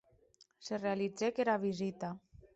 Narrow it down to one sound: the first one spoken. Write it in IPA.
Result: s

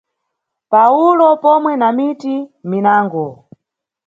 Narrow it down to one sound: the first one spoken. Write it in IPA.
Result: p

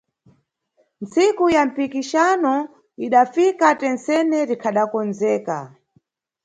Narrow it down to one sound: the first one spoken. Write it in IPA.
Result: n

